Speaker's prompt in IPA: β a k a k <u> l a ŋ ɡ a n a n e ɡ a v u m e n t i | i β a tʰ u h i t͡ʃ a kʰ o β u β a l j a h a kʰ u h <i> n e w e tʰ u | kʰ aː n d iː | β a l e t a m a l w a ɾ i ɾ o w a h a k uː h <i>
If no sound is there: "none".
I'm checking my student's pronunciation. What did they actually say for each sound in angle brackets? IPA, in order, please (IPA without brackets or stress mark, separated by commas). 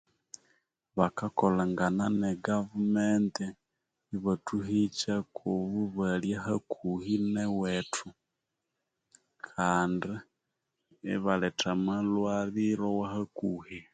o, i, i